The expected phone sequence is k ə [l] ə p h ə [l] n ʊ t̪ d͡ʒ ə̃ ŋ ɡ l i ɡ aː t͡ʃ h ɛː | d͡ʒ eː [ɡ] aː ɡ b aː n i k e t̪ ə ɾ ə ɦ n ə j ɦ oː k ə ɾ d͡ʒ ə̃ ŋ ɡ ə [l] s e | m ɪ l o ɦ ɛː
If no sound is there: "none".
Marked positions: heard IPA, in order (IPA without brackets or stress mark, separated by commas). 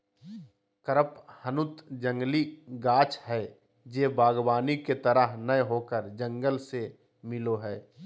ɾ, none, b, l